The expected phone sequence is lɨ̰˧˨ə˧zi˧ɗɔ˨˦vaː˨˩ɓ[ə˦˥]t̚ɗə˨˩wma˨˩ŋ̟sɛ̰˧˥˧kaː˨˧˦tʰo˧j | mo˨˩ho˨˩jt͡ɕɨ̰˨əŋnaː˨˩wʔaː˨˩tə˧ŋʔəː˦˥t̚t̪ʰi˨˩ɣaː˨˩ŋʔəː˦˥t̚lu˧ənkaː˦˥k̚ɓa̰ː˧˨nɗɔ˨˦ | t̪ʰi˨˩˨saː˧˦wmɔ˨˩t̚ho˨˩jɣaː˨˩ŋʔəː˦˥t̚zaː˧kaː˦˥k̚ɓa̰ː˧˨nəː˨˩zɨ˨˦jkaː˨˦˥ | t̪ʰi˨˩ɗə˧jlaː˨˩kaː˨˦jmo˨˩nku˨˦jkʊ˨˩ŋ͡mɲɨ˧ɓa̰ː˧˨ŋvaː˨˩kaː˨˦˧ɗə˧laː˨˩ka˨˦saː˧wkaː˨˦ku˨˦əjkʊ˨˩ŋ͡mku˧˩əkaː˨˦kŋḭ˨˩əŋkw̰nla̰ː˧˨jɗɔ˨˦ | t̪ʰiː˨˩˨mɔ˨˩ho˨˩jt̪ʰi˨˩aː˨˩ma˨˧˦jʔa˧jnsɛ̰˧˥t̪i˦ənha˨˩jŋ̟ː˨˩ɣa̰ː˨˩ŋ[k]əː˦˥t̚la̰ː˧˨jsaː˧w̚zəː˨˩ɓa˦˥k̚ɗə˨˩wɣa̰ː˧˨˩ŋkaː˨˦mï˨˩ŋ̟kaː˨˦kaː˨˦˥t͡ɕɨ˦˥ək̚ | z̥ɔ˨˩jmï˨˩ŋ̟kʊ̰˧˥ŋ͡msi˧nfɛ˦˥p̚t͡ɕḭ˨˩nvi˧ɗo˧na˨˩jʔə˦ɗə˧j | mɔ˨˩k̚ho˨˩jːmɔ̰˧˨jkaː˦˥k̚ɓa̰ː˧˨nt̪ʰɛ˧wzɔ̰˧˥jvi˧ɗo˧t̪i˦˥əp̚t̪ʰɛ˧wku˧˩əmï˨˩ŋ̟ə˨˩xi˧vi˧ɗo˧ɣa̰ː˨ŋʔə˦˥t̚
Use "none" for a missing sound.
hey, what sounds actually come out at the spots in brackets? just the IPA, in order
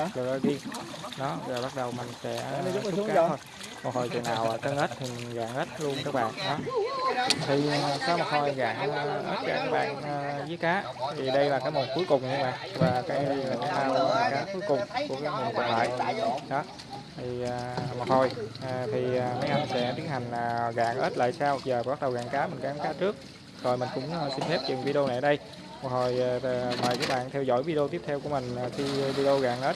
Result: a˦˥, ʔ

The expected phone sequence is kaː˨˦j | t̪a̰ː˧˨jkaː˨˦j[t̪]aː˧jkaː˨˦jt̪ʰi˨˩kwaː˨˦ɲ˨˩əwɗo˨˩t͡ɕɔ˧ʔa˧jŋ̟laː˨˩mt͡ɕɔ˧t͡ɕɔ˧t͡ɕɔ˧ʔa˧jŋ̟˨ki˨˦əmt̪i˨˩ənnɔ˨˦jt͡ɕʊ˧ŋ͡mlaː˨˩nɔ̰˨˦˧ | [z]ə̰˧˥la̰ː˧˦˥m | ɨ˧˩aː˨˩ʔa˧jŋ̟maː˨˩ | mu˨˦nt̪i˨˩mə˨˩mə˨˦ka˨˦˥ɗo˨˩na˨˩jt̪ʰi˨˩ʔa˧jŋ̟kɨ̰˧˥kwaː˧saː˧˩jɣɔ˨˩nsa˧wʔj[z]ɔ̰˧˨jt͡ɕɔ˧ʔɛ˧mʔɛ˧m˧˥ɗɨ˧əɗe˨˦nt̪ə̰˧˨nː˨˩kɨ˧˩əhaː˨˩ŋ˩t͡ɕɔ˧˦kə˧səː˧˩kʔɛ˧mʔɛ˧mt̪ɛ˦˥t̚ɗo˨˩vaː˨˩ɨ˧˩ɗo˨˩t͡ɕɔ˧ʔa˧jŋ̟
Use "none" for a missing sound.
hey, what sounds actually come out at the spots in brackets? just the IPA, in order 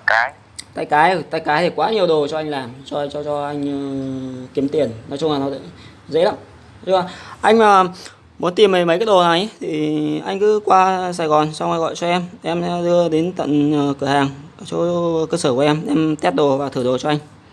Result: t̪, z, ɣ

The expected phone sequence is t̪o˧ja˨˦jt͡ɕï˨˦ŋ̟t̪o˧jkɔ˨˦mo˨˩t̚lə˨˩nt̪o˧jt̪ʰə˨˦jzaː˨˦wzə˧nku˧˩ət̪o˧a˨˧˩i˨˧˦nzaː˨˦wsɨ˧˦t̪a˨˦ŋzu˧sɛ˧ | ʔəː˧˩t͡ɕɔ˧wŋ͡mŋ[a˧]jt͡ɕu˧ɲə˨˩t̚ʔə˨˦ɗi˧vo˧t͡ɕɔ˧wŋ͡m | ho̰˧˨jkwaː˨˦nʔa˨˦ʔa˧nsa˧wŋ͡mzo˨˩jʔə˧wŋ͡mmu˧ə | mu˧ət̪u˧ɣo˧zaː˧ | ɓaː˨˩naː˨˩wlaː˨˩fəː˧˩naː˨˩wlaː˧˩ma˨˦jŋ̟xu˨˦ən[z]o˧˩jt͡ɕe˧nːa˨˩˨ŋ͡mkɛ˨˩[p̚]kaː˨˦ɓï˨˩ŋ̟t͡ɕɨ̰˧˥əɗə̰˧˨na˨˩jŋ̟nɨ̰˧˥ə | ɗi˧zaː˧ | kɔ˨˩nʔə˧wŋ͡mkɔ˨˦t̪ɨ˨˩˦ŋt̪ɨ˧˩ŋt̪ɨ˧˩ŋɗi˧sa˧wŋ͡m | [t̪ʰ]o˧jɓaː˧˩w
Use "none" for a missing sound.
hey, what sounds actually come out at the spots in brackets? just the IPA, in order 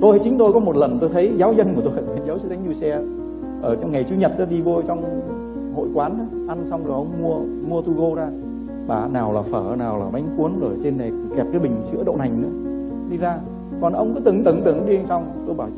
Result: a˨˩, z, p̚, t̪

